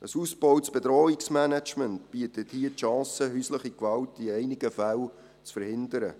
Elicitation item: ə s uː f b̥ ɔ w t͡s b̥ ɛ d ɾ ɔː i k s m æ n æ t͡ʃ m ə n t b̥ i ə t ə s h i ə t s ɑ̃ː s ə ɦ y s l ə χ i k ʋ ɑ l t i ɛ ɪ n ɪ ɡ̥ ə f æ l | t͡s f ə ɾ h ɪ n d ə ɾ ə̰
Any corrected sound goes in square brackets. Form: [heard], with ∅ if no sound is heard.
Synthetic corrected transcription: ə s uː [s] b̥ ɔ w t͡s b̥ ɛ d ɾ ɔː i k s m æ n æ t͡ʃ m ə n t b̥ i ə t ə [t] h i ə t [ʃ] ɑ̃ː s ə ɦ y s l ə χ i k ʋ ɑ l t i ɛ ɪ n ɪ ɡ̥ ə f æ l | t͡s f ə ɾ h ɪ n d ə ɾ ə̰